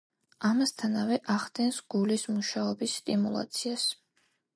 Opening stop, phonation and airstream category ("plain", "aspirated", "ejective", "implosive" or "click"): aspirated